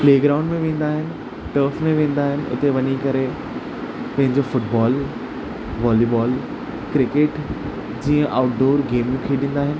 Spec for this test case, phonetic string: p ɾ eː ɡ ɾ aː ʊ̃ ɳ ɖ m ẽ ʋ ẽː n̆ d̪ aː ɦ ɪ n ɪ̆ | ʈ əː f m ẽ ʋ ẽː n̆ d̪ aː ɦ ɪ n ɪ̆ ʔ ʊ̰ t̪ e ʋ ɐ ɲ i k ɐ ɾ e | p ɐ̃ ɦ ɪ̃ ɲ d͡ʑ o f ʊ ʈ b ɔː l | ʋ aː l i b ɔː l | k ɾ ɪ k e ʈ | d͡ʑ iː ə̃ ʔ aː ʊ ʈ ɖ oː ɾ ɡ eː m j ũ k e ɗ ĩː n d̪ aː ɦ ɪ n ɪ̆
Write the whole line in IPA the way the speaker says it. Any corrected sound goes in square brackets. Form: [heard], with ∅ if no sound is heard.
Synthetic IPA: p [l] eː ɡ ɾ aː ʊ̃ ɳ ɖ m ẽ ʋ ẽː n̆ d̪ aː ɦ ɪ n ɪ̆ | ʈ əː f m ẽ ʋ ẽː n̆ d̪ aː ɦ ɪ n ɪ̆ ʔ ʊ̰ t̪ e ʋ ɐ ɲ i k ɐ ɾ e | p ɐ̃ ɦ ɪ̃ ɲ d͡ʑ o f ʊ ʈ b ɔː l | ʋ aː l i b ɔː l | k ɾ ɪ k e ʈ | d͡ʑ iː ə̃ ʔ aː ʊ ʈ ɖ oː ɾ ɡ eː m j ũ [kʰ] e ɗ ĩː n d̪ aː ɦ ɪ n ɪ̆